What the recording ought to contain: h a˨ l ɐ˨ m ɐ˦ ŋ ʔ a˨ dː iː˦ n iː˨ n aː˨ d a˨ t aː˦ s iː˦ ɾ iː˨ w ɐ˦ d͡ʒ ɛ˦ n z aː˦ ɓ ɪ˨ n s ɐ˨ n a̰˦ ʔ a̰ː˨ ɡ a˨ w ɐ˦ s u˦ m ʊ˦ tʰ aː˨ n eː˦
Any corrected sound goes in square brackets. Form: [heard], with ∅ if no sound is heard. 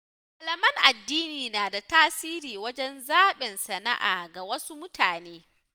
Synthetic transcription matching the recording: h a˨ l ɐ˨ m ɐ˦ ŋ ʔ a˨ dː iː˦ n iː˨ n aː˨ d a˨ t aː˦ s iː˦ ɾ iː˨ w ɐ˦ d͡ʒ ɛ˦ n z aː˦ ɓ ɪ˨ n s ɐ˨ n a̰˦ ʔ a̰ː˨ ɡ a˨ w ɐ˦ s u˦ m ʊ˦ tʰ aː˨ n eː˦